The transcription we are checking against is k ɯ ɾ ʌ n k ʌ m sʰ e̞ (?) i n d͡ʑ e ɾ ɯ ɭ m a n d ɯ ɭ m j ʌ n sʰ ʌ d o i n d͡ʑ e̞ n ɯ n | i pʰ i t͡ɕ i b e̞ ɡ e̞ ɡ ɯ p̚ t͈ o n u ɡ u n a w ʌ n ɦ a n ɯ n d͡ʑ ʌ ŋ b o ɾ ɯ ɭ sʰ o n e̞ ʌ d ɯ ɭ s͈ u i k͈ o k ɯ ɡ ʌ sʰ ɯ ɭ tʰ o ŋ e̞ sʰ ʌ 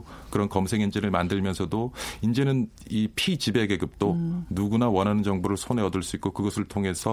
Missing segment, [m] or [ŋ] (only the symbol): ŋ